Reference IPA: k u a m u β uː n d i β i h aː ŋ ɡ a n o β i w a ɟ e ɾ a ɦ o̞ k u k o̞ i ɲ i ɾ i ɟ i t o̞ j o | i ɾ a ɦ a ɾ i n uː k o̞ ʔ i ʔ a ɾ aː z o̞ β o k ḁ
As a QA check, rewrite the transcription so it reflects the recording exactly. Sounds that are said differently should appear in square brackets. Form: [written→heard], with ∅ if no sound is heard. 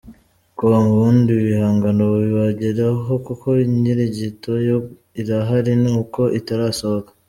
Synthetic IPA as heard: k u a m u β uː n d i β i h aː ŋ ɡ a n o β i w a ɟ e ɾ a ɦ o̞ k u k o̞ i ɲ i ɾ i ɟ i t o̞ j o | i ɾ a ɦ a ɾ i n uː k o̞ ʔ i [ʔ→t] a ɾ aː [z→s] o̞ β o k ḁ

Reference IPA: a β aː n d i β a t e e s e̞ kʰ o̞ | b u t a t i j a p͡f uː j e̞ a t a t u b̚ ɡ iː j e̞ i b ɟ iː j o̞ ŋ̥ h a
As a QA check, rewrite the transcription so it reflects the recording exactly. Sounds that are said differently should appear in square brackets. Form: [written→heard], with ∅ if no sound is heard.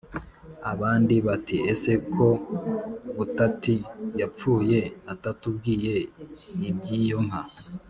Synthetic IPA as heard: a β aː n d i β a t [e→i] e s e̞ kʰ o̞ | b u t a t i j a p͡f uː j e̞ a t a t u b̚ ɡ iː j e̞ i b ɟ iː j o̞ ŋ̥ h a

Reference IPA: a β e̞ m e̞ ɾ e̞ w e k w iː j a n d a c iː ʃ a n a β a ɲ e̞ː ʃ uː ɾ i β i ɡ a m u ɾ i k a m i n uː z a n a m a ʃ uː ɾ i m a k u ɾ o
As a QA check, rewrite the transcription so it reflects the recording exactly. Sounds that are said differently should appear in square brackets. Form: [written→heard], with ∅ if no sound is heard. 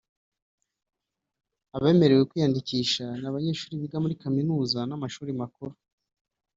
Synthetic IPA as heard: a β e̞ m e̞ ɾ e̞ w e k w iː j a n d [a→i] c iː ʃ a n a β a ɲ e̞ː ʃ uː ɾ i β i ɡ a m u ɾ i k a m i n uː z a n a m a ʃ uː ɾ i m a k u ɾ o

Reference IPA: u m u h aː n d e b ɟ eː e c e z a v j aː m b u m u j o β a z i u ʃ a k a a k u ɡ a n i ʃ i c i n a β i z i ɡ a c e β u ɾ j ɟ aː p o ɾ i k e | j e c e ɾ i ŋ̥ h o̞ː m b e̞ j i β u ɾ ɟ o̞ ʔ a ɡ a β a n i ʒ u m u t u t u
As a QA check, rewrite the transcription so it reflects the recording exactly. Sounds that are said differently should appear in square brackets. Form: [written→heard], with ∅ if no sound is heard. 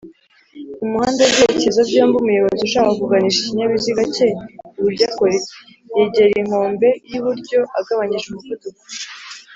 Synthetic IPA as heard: u m u h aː n d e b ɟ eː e c e z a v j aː m b u m u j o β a z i u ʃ a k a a k u ɡ a n i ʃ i c i [n→ɲ] a β i z i ɡ a c e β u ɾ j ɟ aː [p→k] o ɾ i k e | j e [c→ɟ] e ɾ i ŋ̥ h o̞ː m b e̞ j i β u ɾ ɟ o̞ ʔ a ɡ a β a [n→ɲ] i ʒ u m u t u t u

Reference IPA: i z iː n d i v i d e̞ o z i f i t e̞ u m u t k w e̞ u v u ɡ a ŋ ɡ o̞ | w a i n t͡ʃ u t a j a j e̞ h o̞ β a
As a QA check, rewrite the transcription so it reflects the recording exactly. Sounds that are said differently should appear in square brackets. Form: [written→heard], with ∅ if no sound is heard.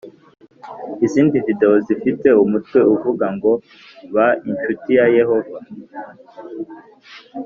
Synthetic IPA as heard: i z iː n d i v i d e̞ o z i f i t e̞ u m u t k w e̞ u v u ɡ a ŋ ɡ o̞ | [w→β] a i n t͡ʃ u t [a→i] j a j e̞ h o̞ [β→v] a

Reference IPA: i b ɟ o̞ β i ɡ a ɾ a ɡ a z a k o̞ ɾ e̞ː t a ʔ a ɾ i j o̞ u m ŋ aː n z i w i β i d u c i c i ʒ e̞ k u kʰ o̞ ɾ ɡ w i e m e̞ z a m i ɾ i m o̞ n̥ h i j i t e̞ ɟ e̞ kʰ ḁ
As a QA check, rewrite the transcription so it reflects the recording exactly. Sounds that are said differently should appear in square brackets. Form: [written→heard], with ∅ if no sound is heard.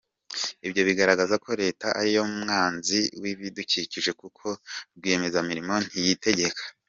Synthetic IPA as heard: i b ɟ o̞ β i ɡ a ɾ a ɡ a z a k o̞ ɾ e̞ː t a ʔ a ɾ i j o̞ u m ŋ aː n z i w i β i d u c i c i ʒ e̞ k u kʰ o̞ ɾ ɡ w i e m e̞ z a m i ɾ i m o̞ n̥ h i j i t e̞ ɟ e̞ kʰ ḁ

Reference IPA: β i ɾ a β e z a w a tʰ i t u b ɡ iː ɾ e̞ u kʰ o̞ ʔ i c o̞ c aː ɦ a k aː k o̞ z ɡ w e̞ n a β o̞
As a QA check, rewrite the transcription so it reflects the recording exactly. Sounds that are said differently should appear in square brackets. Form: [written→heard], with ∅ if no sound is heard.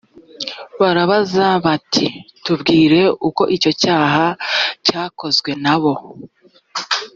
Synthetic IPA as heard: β [i→a] ɾ a β [e→a] z a [w→β] a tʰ i t u b ɡ iː ɾ e̞ u [kʰ→k] o̞ ʔ i c o̞ c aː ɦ a [k→c] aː k o̞ z ɡ w e̞ n a β o̞

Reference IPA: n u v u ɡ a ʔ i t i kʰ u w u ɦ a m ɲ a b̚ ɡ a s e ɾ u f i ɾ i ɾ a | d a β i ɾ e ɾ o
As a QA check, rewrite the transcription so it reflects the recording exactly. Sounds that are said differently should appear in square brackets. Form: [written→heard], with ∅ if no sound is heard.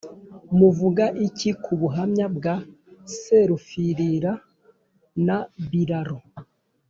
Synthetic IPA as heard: [n→m] u v u ɡ a ʔ i [t→c] i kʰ u [w→β] u ɦ a m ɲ a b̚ ɡ a s e ɾ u f i ɾ i ɾ a | [d→n] a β i ɾ [e→a] ɾ o

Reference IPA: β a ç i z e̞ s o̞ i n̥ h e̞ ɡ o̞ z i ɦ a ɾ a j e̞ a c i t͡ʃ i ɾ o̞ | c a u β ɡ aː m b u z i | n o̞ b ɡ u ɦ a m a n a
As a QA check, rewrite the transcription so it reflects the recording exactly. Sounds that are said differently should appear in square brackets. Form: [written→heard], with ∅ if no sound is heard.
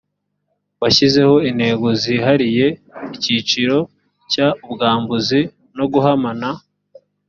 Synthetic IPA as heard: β a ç i z e̞ [s→h] o̞ i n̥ h e̞ ɡ o̞ z i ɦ a ɾ [a→i] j e̞ [a→i] c i t͡ʃ i ɾ o̞ | c a u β ɡ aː m b u z i | n o̞ [b→∅] ɡ u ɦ a m a n a

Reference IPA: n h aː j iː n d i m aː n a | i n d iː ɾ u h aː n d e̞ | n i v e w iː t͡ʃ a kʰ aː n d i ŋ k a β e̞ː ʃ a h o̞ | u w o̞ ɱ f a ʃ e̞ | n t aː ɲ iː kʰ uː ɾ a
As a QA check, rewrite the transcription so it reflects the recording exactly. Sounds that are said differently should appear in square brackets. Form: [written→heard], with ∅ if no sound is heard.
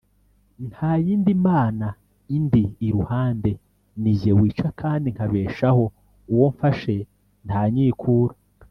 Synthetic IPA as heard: n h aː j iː n d i m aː n a | i n d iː ɾ u h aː n d e̞ | n i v e w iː t͡ʃ a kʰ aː n d i ŋ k a β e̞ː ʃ a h o̞ | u w o̞ ɱ f a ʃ e̞ | n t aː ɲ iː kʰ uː ɾ a

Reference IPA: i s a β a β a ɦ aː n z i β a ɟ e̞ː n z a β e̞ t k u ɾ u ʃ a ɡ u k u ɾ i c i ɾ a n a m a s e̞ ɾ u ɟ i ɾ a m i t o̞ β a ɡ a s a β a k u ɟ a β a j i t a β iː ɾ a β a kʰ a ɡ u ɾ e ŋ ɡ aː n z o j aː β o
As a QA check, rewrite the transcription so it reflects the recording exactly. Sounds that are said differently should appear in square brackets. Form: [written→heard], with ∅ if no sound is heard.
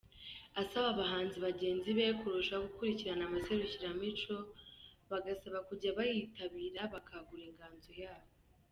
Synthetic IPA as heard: [i→a] s a β a β a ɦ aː n z i β a ɟ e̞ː n z [a→i] β e̞ [t→∅] k u ɾ u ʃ a ɡ u k u ɾ i c i ɾ a n a m a s e̞ ɾ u [ɟ→c] i ɾ a m i [t→t͡ʃ] o̞ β a ɡ a s a β a k u ɟ a β a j i t a β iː ɾ a β a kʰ a ɡ u ɾ e ŋ ɡ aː n z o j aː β o

